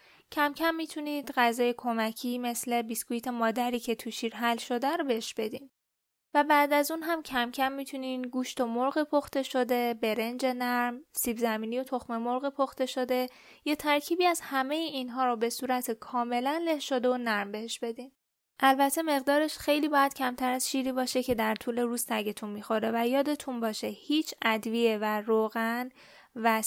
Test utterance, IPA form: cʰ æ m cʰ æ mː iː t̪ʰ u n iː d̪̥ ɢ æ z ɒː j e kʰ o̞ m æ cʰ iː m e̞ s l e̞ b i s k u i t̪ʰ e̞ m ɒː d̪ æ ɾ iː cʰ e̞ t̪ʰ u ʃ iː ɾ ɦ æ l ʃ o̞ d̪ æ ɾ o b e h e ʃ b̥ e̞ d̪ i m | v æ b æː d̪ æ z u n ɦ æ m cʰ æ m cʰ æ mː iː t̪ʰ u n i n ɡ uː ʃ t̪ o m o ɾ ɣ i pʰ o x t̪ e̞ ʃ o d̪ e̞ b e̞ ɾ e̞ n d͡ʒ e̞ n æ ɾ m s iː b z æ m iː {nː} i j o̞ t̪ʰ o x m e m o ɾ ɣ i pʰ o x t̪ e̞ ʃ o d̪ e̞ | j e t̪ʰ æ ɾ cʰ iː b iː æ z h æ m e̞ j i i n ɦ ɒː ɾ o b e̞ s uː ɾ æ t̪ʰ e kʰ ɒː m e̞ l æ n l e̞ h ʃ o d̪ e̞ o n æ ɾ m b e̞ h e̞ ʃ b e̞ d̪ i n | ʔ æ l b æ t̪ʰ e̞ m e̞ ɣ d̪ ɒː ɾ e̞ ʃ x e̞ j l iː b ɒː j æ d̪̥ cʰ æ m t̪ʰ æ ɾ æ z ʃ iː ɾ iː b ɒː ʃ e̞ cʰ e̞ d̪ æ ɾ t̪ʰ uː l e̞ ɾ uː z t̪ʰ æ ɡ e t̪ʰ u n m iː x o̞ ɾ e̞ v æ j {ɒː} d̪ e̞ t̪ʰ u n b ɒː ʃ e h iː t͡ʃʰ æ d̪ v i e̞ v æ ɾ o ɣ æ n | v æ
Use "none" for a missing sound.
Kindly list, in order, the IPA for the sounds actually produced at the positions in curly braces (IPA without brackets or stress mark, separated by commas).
n, ɒː